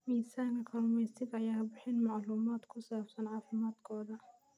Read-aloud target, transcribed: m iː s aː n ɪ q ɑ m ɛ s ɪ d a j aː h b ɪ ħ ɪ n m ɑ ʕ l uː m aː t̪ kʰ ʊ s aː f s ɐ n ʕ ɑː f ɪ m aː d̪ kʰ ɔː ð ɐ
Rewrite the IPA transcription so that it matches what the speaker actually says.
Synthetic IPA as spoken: m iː s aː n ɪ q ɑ m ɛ s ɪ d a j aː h b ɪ ħ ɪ n m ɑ ʕ l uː m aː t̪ kʰ ʊ s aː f s ɐ n ʕ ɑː f ɪ m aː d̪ kʰ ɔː ð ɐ

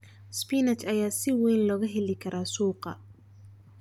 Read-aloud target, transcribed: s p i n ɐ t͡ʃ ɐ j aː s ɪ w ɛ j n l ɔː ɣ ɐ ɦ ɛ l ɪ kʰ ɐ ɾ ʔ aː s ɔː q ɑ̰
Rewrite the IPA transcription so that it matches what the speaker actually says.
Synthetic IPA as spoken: s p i n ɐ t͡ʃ ɐ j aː s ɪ w ɛ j n l ɔː ɣ ɐ ɦ ɛ l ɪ kʰ ɐ ɾ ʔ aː s uː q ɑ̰

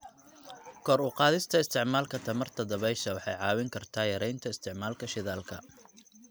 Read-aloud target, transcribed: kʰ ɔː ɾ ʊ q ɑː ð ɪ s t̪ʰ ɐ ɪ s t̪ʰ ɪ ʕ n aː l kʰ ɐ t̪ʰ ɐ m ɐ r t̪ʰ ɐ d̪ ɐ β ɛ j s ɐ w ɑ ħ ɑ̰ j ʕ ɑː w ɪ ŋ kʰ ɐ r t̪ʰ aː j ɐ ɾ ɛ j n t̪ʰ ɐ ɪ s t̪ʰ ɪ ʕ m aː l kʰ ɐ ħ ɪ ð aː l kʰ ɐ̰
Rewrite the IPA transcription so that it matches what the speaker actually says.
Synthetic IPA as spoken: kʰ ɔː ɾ ʊ q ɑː ð ɪ s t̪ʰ ɐ ɪ s t̪ʰ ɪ ʕ m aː l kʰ ɐ t̪ʰ ɐ m ɐ r t̪ʰ ɐ d̪ ɐ β ɛ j ʃ ɐ w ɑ ħ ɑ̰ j ʕ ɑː w ɪ ŋ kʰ ɐ r t̪ʰ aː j ɐ ɾ ɛ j n t̪ʰ ɐ ɪ s t̪ʰ ɪ ʕ m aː l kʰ ɐ ʃ ɪ ð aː l kʰ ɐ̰

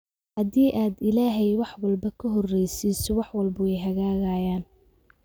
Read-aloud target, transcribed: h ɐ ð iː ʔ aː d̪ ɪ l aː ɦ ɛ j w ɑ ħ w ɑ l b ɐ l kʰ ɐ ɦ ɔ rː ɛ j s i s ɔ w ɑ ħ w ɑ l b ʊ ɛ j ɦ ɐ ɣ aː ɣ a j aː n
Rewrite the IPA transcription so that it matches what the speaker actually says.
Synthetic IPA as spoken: h ɐ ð iː ʔ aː d̪ ɪ l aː ɦ ɛ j w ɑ ħ w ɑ l b ɐ kʰ ɐ ɦ ɔ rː ɛ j s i s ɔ w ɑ ħ w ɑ l b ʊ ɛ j ɦ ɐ ɣ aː ɣ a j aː n

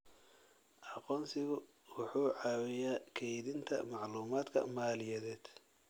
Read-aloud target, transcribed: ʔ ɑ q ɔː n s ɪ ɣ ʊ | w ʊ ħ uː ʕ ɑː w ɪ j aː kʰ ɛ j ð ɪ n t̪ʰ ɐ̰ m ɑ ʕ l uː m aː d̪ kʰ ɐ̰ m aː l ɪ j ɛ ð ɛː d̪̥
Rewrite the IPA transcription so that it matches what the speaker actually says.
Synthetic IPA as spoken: ʔ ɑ q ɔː n s ɪ ɣ ʊ | w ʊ ħ uː ʕ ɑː w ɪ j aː kʰ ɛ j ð ɪ n t̪ʰ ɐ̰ m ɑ ʕ l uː m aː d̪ kʰ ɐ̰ m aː l ɪ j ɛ ð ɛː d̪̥

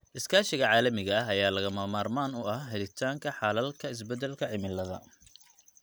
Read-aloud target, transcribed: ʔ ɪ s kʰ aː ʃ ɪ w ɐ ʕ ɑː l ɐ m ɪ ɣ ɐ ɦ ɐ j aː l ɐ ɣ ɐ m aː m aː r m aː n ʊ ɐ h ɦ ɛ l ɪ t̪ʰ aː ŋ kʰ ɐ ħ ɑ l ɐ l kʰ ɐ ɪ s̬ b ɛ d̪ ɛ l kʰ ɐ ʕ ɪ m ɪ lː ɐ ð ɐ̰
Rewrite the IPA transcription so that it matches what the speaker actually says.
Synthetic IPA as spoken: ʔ ɪ s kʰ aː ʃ ɪ ɣ ɐ ʕ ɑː l ɐ m ɪ ɣ ɐ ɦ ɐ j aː l ɐ ɣ ɐ m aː m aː r m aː n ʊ ɐ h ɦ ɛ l ɪ t̪ʰ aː ŋ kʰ ɐ ħ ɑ l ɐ l kʰ ɐ ɪ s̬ b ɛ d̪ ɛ l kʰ ɐ ʕ ɪ m ɪ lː ɐ ð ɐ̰

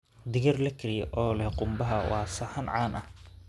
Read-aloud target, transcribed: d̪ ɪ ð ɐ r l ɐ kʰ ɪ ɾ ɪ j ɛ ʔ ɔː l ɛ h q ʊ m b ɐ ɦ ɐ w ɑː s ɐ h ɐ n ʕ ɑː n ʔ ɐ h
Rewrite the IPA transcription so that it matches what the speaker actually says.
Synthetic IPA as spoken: d̪ ɪ ɣ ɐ r l ɐ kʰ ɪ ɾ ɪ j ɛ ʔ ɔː l ɛ h q ʊ m b ɐ ɦ ɐ w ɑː s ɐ h ɐ n ʕ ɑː n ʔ ɐ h

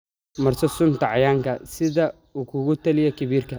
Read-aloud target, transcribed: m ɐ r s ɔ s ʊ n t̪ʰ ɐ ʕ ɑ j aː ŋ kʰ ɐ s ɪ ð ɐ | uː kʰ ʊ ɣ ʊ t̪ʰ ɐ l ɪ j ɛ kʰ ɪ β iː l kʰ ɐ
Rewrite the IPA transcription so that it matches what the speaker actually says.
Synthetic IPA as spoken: m ɐ r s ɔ s ʊ n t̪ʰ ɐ ʕ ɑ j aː ŋ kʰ ɐ s ɪ ð ɐ | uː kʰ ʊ ɣ ʊ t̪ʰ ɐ l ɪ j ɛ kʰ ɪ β iː r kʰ ɐ

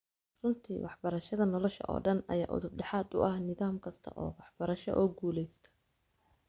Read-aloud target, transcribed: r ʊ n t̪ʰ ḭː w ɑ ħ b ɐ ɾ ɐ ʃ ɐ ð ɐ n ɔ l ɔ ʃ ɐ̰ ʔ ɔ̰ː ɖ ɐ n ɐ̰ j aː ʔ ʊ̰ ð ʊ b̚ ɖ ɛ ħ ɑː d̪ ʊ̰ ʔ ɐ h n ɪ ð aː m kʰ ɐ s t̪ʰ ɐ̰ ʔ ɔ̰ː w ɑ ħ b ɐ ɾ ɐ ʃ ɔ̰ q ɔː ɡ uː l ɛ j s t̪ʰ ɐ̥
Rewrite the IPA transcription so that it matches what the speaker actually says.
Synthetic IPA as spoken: r ʊ n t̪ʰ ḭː w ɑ ħ b ɐ ɾ ɐ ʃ ɐ ð ɐ n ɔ l ɔ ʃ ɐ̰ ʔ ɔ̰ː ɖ ɐ n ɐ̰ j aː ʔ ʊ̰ ð ʊ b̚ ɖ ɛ ħ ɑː d̪ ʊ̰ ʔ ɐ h n ɪ ð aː m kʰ ɐ s t̪ʰ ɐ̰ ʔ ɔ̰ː w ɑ ħ b ɐ ɾ ɐ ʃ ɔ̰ ʔ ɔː ɡ uː l ɛ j s t̪ʰ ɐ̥

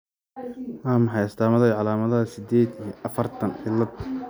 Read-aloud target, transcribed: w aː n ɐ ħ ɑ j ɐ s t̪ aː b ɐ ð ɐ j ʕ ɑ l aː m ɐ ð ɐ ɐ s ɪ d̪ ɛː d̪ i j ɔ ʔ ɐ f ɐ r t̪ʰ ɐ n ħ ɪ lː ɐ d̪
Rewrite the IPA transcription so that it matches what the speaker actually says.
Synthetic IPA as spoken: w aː m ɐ ħ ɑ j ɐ s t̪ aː m ɐ ð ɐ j ʕ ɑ l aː m ɐ ð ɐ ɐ s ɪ d̪ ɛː d̪ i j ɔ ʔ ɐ f ɐ r t̪ʰ ɐ n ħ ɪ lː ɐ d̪

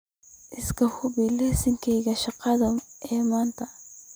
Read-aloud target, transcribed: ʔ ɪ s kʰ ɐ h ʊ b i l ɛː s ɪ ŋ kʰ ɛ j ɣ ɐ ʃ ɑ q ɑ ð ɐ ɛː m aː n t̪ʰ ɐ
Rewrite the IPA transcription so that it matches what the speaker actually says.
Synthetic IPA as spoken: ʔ ɪ s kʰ ɐ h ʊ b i l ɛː s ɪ ŋ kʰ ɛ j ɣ ɐ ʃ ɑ q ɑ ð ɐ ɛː m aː n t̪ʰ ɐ

